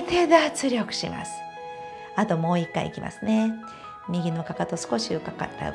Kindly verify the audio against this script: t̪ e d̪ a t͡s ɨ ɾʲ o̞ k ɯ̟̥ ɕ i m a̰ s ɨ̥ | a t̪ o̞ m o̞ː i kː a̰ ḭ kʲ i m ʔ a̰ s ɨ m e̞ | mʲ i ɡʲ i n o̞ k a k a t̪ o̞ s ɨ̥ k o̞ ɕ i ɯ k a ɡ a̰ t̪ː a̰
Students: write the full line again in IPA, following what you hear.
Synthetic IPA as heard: t̪ e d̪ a t͡s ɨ ɾʲ o̞ k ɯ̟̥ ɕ i m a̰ s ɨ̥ | a t̪ o̞ m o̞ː i kː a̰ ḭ kʲ i m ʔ a̰ s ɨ n e̞ | mʲ i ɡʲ i n o̞ k a k a t̪ o̞ s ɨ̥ k o̞ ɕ i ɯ k a k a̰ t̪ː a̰

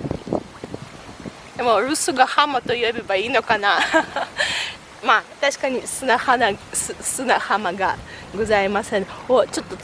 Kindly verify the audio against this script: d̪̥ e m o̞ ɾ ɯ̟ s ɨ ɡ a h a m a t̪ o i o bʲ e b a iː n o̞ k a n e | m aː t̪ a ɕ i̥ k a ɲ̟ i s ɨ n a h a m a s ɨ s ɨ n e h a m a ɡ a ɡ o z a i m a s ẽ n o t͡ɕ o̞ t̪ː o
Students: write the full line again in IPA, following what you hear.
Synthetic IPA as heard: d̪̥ e m o̞ ɾ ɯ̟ s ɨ ɡ a h a m a t̪ o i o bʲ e b a iː n o̞ k a n a | m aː t̪ a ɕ i̥ k a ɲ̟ i s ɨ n a h a n a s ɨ s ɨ n a h a m a ɡ a ɡ o z a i m a s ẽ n o t͡ɕ o̞ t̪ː o

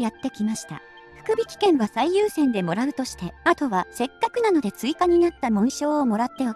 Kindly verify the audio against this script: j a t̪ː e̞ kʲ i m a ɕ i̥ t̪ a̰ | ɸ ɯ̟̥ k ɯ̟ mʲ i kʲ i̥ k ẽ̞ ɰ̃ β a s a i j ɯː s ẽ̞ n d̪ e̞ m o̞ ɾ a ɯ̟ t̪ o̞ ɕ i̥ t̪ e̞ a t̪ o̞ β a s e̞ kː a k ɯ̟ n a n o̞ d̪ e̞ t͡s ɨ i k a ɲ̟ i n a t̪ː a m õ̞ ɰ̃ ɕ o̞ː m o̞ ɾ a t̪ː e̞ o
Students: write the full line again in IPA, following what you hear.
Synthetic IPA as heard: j a t̪ː e̞ kʲ i m a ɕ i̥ t̪ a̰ | ɸ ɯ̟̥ k ɯ̟ bʲ i kʲ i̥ k ẽ̞ ɰ̃ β a s a i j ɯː s ẽ̞ n d̪ e̞ m o̞ ɾ a ɯ̟ t̪ o̞ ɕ i̥ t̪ e̞ a t̪ o̞ β a s e̞ kː a k ɯ̟ n a n o̞ d̪ e̞ t͡s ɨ i k a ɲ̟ i n a t̪ː a m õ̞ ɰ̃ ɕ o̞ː m o̞ ɾ a t̪ː e̞ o

